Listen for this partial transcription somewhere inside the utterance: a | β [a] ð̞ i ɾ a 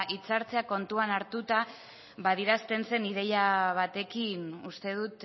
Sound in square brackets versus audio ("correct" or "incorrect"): correct